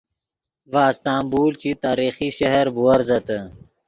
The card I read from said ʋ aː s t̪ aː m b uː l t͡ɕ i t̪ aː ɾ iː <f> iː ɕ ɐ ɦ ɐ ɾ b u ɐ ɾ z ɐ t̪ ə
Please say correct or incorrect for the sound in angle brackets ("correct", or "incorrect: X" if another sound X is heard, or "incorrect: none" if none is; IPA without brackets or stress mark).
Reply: incorrect: x